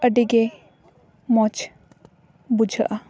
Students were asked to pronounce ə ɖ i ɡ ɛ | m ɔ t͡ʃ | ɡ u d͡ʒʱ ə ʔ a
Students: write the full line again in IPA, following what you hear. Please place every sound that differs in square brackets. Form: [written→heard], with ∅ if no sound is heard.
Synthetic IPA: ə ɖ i ɡ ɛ | m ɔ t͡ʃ | [ɡ→b] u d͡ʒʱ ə ʔ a